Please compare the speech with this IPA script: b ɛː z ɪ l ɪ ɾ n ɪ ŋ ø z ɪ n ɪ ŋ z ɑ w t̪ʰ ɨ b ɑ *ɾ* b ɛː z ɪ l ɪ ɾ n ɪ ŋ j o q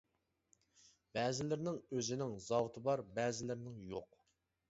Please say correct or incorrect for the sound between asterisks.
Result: correct